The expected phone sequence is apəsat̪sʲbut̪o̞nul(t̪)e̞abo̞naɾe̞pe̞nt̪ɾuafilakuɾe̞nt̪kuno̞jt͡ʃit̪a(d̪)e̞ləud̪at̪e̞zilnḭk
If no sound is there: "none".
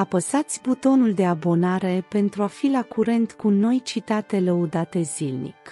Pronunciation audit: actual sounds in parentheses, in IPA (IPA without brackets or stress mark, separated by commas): d̪, t̪